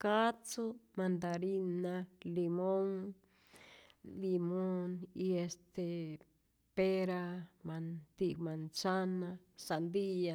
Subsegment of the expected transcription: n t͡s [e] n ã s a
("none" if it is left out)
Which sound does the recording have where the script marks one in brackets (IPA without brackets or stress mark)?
a